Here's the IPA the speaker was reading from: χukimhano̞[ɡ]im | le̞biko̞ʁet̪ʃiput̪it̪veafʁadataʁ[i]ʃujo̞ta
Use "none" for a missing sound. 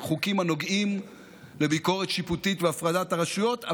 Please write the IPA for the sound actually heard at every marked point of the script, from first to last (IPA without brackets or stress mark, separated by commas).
ɡ, a